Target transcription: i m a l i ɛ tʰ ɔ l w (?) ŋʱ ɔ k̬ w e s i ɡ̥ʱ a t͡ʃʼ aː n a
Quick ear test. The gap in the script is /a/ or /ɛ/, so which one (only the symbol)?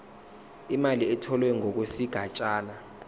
ɛ